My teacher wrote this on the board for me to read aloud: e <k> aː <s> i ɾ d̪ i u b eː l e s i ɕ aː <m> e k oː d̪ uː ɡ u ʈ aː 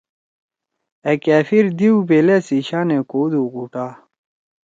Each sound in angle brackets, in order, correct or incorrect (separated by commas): correct, incorrect, incorrect